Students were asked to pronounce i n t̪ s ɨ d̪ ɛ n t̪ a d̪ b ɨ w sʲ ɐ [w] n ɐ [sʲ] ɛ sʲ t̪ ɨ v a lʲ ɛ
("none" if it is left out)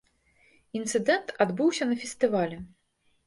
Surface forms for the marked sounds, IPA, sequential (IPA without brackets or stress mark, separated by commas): none, fʲ